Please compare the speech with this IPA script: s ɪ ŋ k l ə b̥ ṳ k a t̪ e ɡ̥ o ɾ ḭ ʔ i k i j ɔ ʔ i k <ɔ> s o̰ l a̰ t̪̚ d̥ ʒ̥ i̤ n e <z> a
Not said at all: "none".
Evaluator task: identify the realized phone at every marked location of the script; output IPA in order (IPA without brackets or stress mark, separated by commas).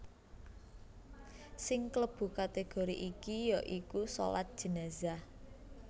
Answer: u, z